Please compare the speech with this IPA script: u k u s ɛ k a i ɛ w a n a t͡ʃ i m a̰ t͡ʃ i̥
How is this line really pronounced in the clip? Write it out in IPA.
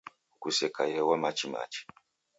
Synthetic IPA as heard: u k u s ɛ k a j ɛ w a m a t͡ʃ i m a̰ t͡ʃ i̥